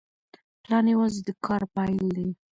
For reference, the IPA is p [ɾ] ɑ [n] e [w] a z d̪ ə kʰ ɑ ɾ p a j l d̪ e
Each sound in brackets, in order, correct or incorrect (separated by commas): incorrect, correct, correct